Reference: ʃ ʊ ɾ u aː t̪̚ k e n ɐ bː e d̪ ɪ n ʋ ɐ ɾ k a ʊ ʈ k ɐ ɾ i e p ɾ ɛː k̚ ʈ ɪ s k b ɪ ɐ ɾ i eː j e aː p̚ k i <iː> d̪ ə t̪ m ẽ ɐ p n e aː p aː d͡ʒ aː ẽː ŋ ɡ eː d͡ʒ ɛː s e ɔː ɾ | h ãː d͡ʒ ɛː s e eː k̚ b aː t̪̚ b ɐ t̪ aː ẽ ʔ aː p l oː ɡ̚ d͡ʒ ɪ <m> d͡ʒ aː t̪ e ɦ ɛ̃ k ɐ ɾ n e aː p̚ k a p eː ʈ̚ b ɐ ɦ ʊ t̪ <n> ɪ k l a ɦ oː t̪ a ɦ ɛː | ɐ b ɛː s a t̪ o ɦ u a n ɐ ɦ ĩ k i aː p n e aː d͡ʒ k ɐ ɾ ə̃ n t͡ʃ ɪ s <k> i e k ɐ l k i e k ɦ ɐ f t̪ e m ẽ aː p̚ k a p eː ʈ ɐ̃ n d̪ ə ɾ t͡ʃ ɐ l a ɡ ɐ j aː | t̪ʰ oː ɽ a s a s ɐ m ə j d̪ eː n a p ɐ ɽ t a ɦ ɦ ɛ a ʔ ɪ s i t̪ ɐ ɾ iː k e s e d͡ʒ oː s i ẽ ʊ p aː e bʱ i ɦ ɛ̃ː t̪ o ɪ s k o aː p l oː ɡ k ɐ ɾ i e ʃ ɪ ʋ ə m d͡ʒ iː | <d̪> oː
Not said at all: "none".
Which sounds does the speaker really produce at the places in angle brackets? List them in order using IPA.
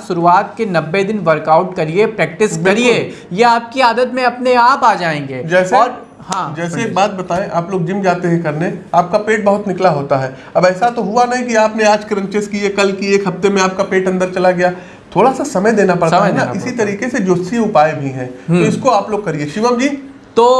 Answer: aː, m, n, k, t̪

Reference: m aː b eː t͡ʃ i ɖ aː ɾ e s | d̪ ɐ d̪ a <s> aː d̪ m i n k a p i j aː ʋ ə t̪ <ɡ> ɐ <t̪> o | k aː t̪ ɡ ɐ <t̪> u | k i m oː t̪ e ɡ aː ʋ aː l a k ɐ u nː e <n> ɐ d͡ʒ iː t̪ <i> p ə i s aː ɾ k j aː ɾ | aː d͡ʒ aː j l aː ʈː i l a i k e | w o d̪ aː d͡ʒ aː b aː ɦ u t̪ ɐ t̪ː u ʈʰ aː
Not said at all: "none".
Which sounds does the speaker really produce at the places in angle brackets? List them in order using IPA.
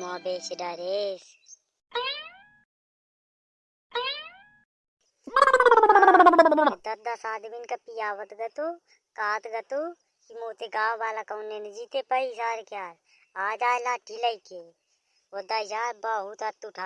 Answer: s, ɡ, t̪, t̪, n, e

